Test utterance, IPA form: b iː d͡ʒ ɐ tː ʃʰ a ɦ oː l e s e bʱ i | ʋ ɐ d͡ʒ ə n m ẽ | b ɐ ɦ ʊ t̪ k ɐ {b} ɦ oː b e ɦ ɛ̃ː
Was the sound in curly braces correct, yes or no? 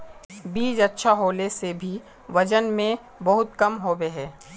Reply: no